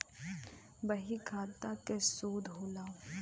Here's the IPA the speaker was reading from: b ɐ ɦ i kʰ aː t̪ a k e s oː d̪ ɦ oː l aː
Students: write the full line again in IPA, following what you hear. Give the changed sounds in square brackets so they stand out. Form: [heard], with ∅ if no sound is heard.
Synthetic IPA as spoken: b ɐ ɦ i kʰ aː t̪ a k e s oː d̪ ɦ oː l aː